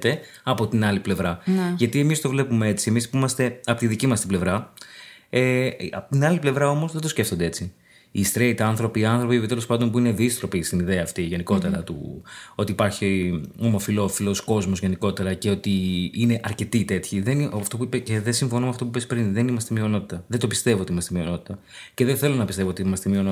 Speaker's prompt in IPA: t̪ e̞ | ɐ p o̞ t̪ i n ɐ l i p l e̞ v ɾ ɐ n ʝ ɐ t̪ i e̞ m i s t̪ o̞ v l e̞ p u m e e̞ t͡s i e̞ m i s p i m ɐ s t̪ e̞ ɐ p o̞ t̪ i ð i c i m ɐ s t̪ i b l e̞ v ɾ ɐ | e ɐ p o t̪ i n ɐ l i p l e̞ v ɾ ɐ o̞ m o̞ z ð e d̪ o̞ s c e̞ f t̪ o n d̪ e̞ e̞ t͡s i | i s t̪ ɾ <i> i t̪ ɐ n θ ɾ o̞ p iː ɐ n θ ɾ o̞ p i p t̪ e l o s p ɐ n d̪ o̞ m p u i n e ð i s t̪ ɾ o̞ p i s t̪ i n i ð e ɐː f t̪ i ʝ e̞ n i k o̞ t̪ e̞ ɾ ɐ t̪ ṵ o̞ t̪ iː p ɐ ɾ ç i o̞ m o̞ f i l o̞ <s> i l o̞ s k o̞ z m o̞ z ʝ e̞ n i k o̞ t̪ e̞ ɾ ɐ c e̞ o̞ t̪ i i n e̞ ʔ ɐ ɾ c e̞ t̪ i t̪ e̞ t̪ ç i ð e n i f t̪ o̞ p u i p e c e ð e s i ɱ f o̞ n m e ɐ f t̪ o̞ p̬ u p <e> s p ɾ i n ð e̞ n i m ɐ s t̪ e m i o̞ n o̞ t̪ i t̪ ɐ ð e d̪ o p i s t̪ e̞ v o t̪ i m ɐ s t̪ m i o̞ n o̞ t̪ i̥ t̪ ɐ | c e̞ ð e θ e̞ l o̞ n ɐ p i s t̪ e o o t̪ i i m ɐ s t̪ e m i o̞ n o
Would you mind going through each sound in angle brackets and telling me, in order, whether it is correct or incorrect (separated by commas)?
incorrect, incorrect, correct